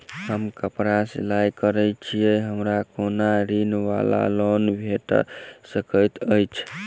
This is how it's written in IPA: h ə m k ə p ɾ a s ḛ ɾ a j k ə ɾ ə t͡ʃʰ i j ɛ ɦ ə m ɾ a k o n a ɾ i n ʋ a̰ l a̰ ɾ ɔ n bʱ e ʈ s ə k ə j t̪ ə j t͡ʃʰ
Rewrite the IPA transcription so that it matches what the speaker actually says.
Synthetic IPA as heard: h ə m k ə p ɾ a s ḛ l a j k ə ɾ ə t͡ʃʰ i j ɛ ɦ ə m ɾ a k o n a ɾ i n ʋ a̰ l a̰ l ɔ n bʱ e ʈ s ə k ə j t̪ ə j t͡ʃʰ